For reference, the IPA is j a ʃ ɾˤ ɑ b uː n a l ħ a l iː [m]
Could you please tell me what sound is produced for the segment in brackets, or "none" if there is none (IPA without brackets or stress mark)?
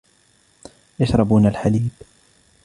b